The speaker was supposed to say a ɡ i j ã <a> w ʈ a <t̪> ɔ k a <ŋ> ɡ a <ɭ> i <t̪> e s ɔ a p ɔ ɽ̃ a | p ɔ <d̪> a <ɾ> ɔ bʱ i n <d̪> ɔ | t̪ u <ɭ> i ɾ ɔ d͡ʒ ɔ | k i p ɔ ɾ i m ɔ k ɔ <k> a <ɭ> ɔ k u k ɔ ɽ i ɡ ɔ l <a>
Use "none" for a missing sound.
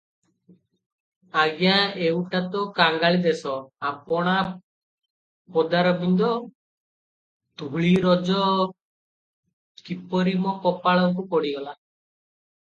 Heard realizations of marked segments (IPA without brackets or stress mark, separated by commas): e, t̪, ŋ, ɭ, d̪, d̪, ɾ, d̪, ɭ, p, ɭ, a